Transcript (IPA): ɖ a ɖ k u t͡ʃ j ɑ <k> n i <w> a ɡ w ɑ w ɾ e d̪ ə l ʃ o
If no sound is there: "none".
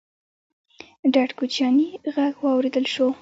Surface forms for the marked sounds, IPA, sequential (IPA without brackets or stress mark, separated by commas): none, ɣ